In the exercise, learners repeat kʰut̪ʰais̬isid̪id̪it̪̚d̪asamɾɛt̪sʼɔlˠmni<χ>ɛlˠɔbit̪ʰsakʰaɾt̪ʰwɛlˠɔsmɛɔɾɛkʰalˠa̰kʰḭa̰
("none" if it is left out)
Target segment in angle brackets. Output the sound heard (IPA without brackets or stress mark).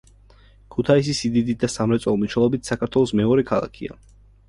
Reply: ʃ